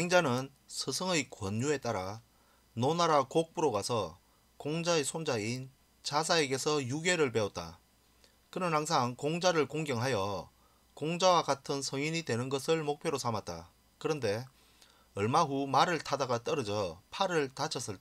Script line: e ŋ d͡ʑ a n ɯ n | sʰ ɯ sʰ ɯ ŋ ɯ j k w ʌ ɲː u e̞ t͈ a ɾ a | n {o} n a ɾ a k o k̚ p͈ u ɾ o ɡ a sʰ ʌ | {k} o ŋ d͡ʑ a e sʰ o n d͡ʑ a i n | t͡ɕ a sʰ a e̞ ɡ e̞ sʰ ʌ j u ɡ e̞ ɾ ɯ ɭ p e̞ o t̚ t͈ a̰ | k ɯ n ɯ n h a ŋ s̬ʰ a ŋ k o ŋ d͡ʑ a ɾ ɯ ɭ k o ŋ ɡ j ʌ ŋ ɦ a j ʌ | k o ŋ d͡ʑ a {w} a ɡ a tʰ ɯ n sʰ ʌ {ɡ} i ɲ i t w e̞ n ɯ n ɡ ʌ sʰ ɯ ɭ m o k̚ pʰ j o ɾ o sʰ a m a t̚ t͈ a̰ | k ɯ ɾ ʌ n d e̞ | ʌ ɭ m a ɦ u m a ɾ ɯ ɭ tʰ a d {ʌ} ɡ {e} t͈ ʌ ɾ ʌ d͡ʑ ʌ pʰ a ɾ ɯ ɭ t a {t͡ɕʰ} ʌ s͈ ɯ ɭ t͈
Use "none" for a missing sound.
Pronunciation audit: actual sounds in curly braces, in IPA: o, k, w, ŋ, a, a, t͡ɕʰ

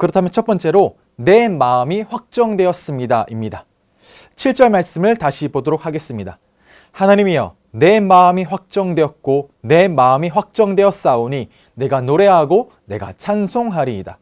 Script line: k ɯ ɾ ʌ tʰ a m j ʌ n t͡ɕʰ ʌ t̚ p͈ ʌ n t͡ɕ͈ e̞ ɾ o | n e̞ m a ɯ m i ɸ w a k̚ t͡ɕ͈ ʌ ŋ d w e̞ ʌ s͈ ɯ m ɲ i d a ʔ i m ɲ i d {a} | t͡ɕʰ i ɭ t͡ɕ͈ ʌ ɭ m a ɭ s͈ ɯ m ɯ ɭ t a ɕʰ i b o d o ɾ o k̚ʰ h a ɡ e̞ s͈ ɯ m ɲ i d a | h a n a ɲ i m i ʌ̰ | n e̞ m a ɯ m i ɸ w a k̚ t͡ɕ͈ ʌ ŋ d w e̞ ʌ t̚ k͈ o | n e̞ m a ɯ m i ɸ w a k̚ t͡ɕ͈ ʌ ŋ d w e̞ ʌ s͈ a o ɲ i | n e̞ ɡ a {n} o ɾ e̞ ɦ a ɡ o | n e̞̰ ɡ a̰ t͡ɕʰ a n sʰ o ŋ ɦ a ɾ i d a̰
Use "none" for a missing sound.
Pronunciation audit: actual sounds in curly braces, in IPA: a, n

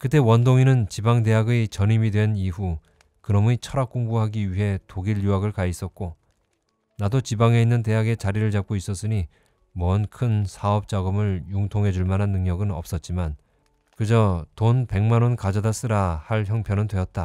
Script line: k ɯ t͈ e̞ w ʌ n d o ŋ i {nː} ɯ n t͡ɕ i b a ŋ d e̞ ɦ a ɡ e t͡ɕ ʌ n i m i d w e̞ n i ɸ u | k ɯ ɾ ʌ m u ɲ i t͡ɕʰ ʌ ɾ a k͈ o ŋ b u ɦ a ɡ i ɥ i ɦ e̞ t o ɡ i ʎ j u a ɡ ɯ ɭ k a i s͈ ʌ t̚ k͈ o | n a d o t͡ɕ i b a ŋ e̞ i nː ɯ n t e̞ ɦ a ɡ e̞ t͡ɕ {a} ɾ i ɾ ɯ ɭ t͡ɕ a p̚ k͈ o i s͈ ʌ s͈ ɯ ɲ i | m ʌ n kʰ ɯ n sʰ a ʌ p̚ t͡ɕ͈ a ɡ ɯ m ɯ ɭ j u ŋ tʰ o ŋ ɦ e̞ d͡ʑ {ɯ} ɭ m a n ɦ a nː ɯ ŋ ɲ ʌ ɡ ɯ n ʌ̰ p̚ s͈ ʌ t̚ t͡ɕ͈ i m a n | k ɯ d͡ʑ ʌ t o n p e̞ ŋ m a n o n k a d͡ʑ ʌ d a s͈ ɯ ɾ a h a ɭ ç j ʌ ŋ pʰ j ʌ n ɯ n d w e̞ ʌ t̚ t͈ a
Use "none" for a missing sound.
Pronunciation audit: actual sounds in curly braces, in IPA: n, a, u

